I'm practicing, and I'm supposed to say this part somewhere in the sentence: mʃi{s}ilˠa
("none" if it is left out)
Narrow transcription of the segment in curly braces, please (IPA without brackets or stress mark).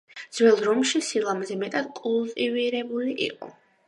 s